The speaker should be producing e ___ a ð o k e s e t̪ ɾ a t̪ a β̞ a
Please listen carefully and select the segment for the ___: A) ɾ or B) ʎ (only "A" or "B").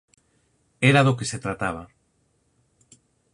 A